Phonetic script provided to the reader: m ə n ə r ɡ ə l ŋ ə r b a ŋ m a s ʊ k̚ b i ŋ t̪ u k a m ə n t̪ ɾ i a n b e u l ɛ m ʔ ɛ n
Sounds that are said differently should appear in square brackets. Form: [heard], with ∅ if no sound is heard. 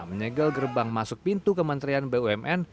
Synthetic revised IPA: m ə [ɲ] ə [∅] ɡ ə l [ɡ] ə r b a ŋ m a s ʊ k̚ [p] i [n] t̪ u k [ə] m ə n t̪ ɾ i a n b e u [∅] ɛ m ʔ ɛ n